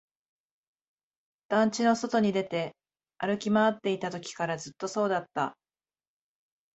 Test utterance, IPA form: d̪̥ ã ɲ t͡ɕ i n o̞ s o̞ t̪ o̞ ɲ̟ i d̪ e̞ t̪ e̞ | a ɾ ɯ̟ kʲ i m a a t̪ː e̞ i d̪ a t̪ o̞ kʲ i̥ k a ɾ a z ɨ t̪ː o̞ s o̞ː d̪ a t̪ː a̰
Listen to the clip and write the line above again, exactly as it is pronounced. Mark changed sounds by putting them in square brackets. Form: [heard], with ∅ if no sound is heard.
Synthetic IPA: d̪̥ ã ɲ t͡ɕ i n o̞ s o̞ t̪ o̞ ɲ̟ i d̪ e̞ t̪ e̞ | a ɾ ɯ̟ kʲ i m a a t̪ː e̞ i [t̪] a t̪ o̞ kʲ i̥ k a ɾ a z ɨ t̪ː o̞ s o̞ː d̪ a t̪ː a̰